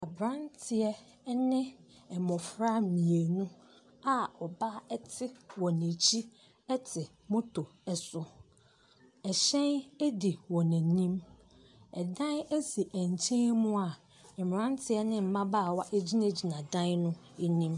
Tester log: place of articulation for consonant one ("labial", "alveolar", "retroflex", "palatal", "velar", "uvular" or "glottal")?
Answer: labial